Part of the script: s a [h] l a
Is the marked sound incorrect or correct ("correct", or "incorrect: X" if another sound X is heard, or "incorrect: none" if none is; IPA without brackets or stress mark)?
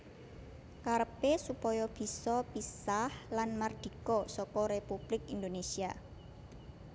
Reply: correct